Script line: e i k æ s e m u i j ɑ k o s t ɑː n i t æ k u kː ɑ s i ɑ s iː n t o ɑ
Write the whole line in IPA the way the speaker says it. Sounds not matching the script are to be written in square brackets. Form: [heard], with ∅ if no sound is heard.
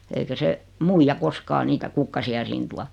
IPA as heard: e i k æ s e m u i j ɑ k o s [k] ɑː n [iː] t æ k u kː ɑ s i ɑ s iː n t [u] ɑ